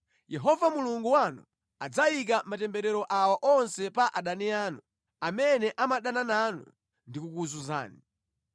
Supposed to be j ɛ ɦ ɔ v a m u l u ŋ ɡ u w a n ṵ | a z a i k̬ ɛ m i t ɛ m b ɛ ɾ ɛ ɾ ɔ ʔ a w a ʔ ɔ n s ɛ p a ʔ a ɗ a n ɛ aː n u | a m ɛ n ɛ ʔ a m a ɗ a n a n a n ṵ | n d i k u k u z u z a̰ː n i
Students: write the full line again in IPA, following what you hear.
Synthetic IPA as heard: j ɛ ɦ ɔ v a m u l u ŋ ɡ u w a n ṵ | a d͡z a i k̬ a m a t ɛ m b ɛ ɾ ɛ ɾ ɔ ʔ a w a ʔ ɔ n s ɛ p a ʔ a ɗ a n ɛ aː n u | a m ɛ n ɛ ʔ a m a ɗ a n a n a n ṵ | n d i k u k u z u z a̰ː n i

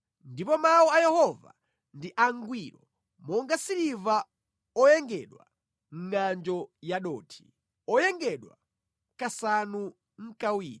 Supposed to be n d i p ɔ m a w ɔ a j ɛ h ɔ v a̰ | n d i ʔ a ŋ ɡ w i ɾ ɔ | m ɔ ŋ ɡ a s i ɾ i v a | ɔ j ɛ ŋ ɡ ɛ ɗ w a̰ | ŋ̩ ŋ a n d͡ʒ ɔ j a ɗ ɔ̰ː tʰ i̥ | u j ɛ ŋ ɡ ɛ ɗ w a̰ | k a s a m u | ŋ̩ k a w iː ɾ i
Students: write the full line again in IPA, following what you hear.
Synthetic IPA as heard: n d i p ɔ m a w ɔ a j ɛ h ɔ v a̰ | n d i ʔ a ŋ ɡ w i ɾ ɔ | m ɔ ŋ ɡ a s i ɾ i v a | ɔ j ɛ ŋ ɡ ɛ ɗ w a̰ | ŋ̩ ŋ a n d͡ʒ ɔ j a ɗ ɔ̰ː tʰ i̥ | ɔ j ɛ ŋ ɡ ɛ ɗ w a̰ | k a s a n u | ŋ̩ k a w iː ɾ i

